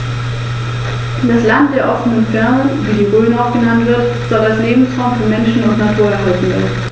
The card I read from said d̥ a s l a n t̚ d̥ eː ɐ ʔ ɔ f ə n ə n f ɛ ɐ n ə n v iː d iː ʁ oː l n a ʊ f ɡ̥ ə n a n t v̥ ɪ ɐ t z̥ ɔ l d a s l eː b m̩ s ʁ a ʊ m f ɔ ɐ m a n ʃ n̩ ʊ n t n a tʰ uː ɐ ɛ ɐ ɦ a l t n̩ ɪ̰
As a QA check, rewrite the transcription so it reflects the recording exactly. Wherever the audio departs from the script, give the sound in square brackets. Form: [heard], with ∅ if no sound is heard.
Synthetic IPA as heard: d̥ a s l a n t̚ d̥ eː ɐ ʔ ɔ f ə n ə n f ɛ ɐ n ə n v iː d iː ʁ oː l n a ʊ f ɡ̥ ə n a n t v̥ ɪ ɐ t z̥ ɔ l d a s l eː b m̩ s ʁ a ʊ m f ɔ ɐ m [ɛ] n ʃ n̩ ʊ n t n a tʰ uː ɐ ɛ ɐ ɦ a l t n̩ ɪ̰